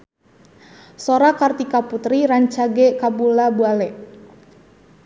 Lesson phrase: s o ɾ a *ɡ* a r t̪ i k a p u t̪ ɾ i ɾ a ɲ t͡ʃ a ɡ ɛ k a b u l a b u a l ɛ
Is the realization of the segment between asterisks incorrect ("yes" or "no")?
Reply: yes